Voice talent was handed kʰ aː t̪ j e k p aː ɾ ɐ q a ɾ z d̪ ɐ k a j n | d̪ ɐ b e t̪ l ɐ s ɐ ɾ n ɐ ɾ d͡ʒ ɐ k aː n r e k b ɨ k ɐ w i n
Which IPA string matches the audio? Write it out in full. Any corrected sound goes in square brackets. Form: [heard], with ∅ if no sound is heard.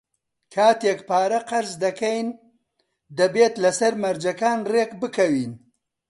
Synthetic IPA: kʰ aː t̪ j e k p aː ɾ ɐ q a ɾ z d̪ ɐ k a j n | d̪ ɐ b e t̪ l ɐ s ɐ ɾ [m] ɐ ɾ d͡ʒ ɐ k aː n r e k b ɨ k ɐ w i n